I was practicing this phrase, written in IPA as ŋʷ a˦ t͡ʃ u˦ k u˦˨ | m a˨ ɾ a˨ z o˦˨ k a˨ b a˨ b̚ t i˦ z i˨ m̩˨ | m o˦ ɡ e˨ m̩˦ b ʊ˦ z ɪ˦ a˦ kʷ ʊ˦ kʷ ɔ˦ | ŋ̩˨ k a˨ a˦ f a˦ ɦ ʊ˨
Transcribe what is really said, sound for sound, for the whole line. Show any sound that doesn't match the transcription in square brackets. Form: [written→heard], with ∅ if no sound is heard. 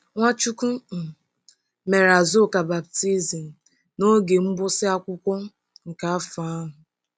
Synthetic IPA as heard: ŋʷ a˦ t͡ʃ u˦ k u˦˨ | m [a˨→e˨] ɾ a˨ z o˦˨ k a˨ b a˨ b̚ t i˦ z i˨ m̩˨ | [m→n] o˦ ɡ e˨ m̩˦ b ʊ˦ [z→s] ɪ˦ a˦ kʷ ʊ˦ kʷ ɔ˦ | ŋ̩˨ k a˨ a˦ f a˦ ɦ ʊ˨